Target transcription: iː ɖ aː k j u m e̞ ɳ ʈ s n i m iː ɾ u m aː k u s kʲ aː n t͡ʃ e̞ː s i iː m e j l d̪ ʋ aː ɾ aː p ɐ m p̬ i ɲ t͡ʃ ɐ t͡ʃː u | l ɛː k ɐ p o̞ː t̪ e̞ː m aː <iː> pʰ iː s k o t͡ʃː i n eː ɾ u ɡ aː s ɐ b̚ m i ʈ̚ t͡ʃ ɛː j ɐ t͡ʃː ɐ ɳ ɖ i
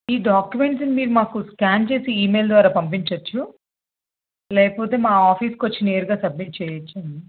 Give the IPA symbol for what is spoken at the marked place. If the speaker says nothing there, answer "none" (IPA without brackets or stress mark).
aː